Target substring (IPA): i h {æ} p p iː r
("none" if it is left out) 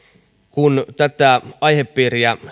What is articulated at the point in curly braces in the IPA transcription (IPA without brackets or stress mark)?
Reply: e